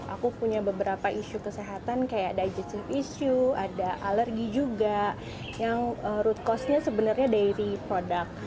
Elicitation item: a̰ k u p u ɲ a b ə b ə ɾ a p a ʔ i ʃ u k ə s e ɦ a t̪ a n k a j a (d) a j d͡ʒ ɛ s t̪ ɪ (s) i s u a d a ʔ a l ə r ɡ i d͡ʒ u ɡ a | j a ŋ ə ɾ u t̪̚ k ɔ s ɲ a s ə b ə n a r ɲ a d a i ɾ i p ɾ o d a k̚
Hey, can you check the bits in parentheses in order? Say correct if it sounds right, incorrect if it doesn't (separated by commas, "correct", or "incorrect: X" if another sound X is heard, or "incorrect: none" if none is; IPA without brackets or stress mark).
correct, incorrect: f